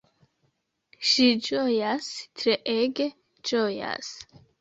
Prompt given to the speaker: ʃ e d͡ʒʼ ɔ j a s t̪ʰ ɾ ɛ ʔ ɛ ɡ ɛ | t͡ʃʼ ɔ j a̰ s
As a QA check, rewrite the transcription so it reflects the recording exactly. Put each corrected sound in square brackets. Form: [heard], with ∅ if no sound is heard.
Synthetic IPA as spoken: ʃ [i] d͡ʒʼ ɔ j a s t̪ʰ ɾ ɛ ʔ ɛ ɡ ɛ | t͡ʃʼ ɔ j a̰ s